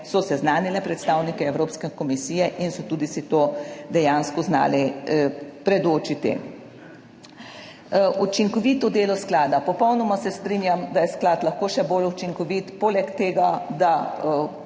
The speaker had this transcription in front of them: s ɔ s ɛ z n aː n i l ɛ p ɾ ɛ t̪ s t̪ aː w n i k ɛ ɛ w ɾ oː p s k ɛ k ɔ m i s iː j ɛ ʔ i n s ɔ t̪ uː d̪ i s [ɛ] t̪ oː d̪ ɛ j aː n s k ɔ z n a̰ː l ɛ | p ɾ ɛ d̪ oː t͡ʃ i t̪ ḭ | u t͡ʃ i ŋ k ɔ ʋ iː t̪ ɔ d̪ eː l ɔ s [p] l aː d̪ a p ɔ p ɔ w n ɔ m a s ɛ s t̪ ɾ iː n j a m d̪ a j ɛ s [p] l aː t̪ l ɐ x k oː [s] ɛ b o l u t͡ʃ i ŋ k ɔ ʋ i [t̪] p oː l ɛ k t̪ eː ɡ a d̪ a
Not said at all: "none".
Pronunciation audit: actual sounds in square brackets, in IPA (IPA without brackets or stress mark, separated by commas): i, k, k, ʃ, t̪